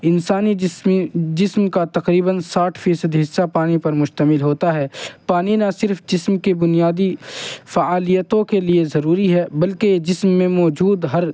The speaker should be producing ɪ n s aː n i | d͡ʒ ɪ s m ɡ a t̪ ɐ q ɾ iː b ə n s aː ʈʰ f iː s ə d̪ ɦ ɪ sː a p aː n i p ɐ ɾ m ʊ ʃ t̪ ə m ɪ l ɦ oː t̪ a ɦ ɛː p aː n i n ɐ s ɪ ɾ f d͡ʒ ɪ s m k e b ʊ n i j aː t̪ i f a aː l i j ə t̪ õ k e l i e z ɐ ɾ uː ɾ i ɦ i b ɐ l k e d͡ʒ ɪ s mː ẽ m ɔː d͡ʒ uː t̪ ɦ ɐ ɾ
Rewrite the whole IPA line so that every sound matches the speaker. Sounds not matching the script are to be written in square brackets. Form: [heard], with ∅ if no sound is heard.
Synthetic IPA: ɪ n s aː n i | d͡ʒ ɪ s m [k] a t̪ ɐ q ɾ iː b ə n s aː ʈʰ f iː s ə d̪ ɦ ɪ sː a p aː n i p ɐ ɾ m ʊ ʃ t̪ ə m ɪ l ɦ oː t̪ a ɦ ɛː p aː n i n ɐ s ɪ ɾ f d͡ʒ ɪ s m k e b ʊ n i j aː [d̪] i f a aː l i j ə t̪ õ k e l i e z ɐ ɾ uː ɾ i ɦ [ɛ] b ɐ l k e d͡ʒ ɪ s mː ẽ m ɔː d͡ʒ uː [d̪] ɦ ɐ ɾ